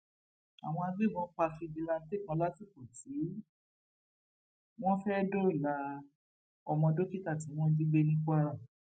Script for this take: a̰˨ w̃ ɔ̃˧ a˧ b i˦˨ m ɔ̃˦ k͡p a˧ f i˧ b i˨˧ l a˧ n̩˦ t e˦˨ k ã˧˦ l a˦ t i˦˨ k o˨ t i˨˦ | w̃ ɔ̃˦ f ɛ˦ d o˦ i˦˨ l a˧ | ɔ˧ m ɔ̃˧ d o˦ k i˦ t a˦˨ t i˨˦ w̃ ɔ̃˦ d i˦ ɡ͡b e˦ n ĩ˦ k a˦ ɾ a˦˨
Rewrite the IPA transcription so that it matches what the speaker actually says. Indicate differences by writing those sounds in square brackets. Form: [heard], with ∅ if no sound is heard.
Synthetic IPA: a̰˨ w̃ ɔ̃˧ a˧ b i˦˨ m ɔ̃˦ k͡p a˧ f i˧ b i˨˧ l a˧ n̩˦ t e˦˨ k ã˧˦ l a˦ t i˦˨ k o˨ t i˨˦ | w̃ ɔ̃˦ f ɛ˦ d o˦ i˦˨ l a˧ | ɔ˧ m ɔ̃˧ d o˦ k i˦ t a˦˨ t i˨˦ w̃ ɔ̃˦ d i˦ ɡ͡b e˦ n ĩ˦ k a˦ ɾ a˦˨